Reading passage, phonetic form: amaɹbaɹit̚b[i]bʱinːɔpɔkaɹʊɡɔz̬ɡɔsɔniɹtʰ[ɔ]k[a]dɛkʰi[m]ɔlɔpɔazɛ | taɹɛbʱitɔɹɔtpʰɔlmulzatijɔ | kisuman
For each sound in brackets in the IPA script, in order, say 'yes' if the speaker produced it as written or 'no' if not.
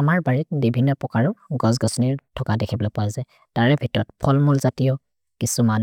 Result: yes, yes, yes, no

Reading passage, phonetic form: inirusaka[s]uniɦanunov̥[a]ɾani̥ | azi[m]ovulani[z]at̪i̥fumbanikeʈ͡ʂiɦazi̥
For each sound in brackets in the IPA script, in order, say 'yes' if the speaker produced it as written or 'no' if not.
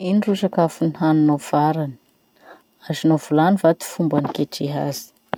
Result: no, yes, no, no

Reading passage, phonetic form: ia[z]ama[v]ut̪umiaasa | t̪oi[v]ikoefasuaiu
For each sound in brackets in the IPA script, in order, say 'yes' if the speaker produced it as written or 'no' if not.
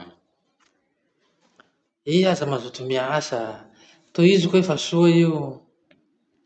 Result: yes, no, no

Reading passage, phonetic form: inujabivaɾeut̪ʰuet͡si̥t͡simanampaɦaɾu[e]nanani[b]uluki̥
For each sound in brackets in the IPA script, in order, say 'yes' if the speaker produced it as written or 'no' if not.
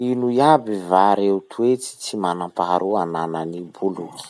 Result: no, yes

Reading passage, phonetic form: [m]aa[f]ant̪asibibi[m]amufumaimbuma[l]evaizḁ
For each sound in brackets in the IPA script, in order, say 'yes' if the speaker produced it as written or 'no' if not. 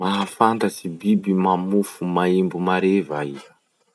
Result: yes, yes, yes, no

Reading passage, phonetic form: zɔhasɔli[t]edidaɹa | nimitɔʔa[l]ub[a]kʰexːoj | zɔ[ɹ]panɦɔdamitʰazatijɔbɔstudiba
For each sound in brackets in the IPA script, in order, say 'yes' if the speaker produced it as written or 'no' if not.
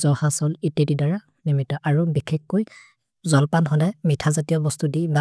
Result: yes, no, no, no

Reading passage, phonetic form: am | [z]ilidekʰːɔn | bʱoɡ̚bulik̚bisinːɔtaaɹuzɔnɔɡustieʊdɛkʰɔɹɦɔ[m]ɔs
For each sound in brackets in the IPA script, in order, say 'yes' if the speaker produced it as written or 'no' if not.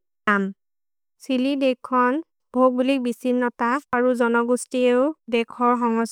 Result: no, no

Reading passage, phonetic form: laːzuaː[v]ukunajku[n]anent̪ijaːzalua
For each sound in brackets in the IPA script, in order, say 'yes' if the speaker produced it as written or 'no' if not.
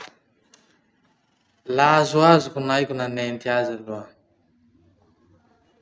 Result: no, yes

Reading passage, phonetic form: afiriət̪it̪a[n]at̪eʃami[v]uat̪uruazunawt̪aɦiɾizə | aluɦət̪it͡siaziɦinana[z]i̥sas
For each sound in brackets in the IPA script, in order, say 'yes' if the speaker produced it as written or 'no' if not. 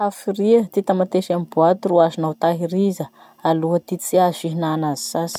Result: no, no, yes

